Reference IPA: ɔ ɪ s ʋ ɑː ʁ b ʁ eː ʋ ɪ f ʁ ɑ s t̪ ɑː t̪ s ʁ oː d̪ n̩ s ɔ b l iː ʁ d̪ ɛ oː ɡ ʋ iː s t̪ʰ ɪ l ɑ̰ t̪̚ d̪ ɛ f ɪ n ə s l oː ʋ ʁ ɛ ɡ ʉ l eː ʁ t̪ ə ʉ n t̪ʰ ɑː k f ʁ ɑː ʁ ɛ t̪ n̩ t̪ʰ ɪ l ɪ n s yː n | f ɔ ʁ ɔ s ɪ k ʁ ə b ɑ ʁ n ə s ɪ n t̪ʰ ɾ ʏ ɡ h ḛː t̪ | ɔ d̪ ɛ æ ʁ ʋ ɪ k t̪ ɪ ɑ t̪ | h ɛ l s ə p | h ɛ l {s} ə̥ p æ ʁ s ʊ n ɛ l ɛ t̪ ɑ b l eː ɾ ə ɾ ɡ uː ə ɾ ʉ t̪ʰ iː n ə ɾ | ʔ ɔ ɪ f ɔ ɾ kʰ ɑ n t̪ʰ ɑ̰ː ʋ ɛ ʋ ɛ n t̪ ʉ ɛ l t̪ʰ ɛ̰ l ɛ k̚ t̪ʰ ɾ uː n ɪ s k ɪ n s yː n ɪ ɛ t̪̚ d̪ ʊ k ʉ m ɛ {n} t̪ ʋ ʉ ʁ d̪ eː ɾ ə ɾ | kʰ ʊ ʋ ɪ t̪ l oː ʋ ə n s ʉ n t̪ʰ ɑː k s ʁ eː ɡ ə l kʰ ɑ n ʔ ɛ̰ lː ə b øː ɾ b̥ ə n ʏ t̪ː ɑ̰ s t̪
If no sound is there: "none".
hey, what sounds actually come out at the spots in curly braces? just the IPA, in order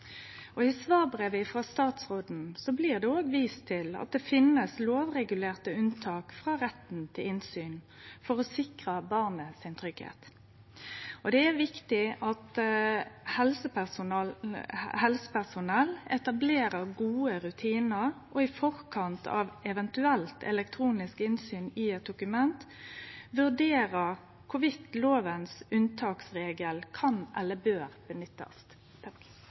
s, n

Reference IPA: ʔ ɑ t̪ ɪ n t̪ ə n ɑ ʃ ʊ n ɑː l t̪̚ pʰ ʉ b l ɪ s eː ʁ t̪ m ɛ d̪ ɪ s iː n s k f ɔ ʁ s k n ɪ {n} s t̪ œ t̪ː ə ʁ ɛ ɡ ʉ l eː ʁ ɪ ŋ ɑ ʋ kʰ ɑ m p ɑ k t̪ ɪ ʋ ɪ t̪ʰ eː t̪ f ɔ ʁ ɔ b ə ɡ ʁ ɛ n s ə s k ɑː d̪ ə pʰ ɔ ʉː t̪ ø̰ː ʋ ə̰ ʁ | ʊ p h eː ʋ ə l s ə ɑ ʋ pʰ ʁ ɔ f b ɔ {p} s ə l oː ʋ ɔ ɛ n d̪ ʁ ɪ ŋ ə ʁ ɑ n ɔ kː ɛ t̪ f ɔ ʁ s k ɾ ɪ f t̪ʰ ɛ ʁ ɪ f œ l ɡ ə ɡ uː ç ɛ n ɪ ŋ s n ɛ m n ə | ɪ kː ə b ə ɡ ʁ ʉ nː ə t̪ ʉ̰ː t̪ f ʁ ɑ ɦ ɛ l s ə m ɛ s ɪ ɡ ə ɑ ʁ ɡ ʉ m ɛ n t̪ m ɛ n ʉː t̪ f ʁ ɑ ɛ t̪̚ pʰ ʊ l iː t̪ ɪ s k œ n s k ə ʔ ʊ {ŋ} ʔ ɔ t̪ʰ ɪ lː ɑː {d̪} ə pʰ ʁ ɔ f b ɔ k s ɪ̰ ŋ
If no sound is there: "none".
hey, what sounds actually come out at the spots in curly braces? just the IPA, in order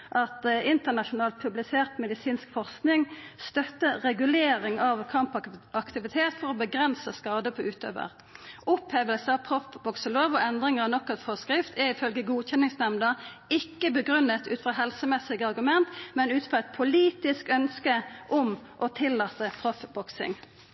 ŋ, k, m, t̪

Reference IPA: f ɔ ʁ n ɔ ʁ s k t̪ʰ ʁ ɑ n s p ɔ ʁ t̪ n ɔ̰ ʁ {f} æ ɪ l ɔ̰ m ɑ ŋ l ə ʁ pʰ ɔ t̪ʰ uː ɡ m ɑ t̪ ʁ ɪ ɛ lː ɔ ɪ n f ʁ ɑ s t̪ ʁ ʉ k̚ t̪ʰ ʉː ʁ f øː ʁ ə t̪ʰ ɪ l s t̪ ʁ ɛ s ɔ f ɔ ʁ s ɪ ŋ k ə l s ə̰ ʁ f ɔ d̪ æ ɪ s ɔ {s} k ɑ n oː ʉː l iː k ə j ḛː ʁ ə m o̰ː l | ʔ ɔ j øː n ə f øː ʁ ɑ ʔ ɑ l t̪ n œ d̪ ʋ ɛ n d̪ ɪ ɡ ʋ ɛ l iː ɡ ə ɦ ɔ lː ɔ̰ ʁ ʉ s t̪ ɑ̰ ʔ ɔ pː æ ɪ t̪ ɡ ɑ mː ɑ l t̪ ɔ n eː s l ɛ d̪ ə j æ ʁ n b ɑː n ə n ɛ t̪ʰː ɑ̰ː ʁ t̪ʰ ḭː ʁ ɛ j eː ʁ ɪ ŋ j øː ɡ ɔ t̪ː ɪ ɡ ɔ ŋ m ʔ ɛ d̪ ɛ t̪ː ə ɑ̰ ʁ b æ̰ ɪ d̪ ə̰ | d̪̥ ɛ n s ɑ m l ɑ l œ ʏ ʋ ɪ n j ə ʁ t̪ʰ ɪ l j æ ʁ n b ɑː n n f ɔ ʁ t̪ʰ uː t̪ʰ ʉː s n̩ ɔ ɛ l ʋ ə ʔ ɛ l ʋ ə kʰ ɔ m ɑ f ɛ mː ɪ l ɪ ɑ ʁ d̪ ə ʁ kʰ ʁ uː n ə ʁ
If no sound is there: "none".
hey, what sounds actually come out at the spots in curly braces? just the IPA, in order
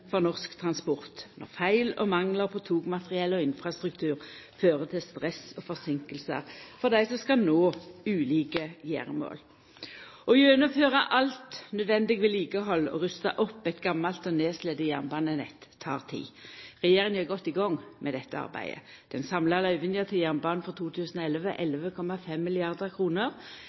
f, s

